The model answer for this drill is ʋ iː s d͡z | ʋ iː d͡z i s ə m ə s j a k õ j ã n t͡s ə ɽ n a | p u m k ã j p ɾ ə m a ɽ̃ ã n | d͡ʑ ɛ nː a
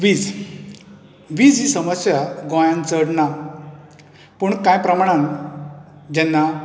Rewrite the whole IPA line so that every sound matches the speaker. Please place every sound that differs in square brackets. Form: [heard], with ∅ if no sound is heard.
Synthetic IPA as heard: ʋ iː [∅] d͡z | ʋ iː d͡z i s ə m ə s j a [ɡ] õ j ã n t͡s ə ɽ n a | p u [ɳ] k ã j p ɾ ə m a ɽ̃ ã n | d͡ʑ ɛ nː a